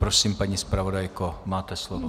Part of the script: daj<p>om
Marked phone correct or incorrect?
incorrect